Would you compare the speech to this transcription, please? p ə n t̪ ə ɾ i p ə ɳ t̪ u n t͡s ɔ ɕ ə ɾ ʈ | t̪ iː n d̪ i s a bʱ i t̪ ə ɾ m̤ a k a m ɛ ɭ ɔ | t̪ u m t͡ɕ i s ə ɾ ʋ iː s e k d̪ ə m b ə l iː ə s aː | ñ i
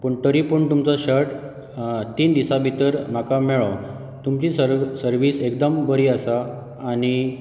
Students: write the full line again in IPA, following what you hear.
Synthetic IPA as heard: p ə ɳ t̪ ə ɾ i p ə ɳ t̪ u m t͡s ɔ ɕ ə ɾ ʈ | t̪ iː n d̪ i s a bʱ i t̪ ə ɾ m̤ a k a m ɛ ɭ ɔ | t̪ u m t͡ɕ i s ə ɾ ʋ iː s e k d̪ ə m b ə ɾ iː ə s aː | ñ i